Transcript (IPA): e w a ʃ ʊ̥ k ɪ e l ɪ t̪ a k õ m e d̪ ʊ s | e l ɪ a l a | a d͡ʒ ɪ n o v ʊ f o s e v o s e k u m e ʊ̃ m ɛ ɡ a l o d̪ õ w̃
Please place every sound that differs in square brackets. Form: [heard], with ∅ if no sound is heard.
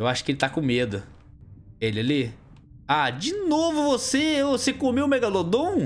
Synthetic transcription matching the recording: e w a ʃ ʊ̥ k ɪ e l ɪ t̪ a k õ m e d̪ ʊ [∅] | e l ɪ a l [i] | a d͡ʒ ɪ n o v ʊ [v] o s e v o s e k [o] m e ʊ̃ m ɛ ɡ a l o d̪ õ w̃